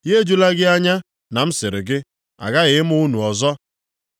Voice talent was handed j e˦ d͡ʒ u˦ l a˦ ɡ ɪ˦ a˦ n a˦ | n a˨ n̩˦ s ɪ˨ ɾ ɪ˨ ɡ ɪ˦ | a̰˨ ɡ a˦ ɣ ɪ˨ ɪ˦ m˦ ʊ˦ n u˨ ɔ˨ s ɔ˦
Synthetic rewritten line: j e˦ d͡ʒ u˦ l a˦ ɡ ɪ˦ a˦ ɲ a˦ | n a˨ m̩˦ s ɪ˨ ɾ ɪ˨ ɡ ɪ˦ | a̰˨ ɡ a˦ ɣ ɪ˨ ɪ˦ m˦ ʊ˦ n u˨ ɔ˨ z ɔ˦